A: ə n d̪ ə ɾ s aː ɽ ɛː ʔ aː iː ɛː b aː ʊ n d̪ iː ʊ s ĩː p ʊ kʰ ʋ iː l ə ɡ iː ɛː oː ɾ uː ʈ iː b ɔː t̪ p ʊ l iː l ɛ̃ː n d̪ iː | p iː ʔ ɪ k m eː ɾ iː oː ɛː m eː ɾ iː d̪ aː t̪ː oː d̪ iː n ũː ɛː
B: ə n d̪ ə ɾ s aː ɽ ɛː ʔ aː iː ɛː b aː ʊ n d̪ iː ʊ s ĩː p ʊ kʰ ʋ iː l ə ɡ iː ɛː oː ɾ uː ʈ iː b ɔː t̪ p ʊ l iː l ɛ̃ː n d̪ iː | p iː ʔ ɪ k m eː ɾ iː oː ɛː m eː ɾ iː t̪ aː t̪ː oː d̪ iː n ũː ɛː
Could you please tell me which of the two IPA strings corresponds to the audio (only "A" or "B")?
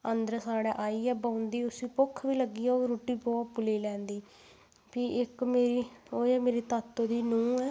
B